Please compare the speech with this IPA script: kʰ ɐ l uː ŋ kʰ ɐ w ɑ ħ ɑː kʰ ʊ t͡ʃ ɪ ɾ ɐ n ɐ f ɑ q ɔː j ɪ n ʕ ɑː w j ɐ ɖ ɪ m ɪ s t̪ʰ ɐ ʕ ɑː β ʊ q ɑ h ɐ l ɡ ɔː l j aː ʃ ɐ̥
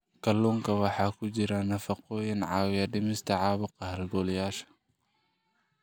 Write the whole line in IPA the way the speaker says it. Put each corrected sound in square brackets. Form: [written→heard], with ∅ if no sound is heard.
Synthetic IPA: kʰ ɐ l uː ŋ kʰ ɐ w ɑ ħ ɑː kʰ ʊ t͡ʃ ɪ ɾ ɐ n ɐ f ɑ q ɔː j ɪ n ʕ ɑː w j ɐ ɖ ɪ m ɪ s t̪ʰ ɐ ʕ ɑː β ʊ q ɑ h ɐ l ɡ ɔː l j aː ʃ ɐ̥